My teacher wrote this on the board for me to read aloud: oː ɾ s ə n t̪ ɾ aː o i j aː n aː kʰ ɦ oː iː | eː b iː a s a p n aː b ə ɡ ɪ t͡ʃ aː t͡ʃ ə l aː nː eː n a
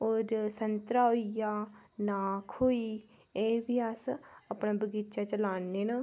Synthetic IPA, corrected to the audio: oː ɾ s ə n t̪ ɾ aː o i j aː n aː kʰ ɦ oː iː | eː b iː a s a p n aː b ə ɡ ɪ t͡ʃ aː t͡ʃ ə l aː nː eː n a